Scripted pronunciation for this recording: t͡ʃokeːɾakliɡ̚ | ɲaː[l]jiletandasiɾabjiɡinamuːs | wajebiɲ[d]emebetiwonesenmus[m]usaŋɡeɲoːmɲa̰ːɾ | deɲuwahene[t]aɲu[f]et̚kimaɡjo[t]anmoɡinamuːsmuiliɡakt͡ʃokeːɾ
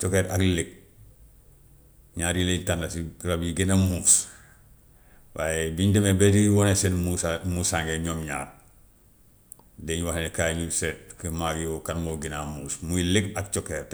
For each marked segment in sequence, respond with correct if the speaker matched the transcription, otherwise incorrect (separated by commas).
incorrect, correct, correct, incorrect, incorrect, incorrect